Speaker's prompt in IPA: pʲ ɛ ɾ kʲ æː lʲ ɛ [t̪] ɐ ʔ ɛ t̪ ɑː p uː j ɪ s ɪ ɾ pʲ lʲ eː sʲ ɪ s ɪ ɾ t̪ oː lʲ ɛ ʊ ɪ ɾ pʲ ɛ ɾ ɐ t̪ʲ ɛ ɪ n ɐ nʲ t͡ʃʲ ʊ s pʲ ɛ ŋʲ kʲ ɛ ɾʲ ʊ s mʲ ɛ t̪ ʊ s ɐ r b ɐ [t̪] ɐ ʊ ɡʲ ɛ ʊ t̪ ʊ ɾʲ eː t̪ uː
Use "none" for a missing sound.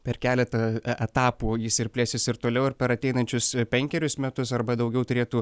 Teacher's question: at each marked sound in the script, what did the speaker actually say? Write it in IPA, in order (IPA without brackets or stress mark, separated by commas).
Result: t̪, d̪